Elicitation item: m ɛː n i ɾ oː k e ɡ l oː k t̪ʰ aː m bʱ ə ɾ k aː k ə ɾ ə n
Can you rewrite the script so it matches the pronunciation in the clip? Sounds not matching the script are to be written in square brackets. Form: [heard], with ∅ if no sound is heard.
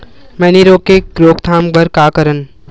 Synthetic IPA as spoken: m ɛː n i ɾ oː k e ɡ [ɾ] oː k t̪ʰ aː m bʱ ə ɾ k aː k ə ɾ ə n